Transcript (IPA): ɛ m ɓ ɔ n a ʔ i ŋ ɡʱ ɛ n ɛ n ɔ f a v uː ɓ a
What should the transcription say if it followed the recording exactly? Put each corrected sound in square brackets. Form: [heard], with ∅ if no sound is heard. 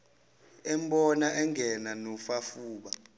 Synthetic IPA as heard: ɛ m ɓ ɔ n a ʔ [ɛ] ŋ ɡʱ ɛ n [a] n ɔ f a [f] uː ɓ a